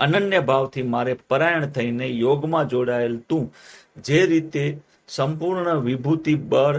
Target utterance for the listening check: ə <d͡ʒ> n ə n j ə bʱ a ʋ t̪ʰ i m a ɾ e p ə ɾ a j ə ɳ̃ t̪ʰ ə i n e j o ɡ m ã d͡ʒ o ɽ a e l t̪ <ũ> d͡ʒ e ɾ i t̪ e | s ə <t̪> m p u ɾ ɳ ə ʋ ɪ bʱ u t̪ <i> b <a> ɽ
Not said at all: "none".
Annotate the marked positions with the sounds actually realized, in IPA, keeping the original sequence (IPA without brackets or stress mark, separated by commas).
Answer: none, ũ, none, i, ə